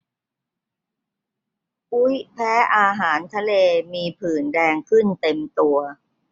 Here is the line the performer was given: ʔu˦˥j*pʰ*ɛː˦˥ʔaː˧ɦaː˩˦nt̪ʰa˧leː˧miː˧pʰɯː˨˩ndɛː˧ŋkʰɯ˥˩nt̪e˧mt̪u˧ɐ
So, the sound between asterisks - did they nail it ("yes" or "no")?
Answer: yes